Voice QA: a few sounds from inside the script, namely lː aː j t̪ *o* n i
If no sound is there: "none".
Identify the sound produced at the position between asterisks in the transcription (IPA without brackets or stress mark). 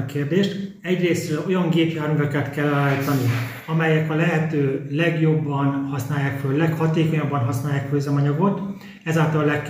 ɒ